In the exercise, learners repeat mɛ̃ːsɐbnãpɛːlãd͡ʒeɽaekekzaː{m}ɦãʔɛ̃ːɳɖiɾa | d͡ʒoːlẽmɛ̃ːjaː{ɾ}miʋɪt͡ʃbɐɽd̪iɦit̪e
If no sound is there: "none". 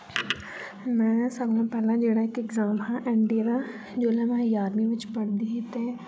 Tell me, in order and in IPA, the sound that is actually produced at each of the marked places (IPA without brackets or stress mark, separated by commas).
m, ɾ